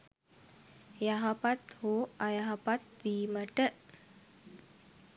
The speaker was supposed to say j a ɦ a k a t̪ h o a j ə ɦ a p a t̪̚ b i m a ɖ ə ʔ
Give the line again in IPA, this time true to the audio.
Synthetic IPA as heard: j a ɦ a p a t̪ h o a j a ɦ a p a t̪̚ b i m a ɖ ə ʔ